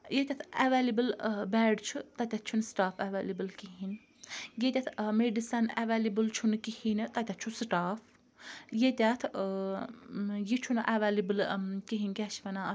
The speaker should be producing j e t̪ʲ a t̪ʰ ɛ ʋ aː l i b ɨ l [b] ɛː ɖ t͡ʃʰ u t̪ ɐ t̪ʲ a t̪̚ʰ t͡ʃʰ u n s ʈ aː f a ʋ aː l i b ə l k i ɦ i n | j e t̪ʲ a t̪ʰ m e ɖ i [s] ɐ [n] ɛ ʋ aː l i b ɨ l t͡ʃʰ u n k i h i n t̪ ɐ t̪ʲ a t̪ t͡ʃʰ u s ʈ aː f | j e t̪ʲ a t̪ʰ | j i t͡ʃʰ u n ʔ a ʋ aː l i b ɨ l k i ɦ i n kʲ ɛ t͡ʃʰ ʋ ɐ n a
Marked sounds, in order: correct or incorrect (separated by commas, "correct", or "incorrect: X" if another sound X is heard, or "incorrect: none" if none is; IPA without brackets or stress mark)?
correct, correct, correct